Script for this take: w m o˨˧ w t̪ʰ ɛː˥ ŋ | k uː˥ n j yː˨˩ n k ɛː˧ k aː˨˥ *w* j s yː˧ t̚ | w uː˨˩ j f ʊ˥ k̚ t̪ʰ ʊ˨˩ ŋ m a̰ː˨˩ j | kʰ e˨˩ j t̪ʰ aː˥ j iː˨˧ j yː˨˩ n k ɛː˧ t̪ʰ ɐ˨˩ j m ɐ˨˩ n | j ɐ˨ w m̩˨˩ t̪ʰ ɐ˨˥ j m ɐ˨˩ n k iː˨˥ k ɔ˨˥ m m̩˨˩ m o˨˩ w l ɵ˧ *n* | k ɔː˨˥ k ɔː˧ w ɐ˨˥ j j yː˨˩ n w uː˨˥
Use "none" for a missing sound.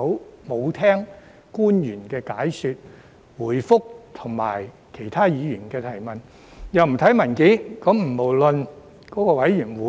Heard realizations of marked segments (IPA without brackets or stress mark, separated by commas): none, n